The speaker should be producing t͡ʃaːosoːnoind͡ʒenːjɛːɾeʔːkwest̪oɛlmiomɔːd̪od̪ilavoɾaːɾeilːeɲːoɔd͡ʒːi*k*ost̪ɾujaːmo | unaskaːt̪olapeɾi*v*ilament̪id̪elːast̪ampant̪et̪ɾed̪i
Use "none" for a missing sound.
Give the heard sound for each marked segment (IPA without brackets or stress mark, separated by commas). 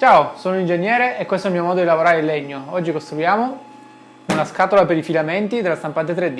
k, f